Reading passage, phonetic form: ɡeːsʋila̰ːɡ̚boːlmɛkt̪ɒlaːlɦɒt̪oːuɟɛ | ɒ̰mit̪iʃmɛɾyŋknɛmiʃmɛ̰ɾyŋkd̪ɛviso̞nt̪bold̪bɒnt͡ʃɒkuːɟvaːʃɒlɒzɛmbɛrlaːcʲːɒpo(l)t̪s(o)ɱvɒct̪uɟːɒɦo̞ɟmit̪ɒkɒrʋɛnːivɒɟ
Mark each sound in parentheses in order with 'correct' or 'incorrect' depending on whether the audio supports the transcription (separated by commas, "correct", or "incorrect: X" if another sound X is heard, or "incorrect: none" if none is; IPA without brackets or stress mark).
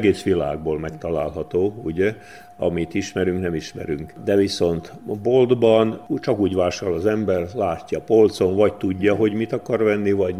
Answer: correct, correct